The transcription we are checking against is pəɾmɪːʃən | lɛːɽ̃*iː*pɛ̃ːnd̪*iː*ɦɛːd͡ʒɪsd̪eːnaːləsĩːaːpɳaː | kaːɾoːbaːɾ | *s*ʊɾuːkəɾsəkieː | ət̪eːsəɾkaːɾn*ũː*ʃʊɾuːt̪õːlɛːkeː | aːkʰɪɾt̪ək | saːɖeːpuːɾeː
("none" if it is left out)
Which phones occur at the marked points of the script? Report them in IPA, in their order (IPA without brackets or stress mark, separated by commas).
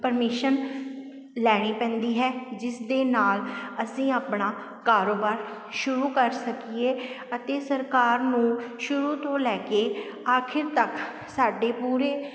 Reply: iː, iː, ʃ, ũː